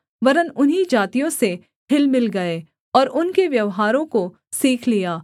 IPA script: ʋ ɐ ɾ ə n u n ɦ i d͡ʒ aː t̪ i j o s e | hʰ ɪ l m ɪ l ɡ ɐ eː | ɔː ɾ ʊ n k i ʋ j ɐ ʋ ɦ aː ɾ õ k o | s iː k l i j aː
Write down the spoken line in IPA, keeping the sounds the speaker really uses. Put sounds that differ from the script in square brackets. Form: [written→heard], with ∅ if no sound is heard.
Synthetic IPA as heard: ʋ ɐ ɾ ə n [u→ʊ] n ɦ i d͡ʒ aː t̪ i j [o→õ] s e | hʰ ɪ l m ɪ l ɡ ɐ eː | ɔː ɾ ʊ n k [i→e] ʋ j ɐ ʋ ɦ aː ɾ õ k o | s iː [k→kʰ] l i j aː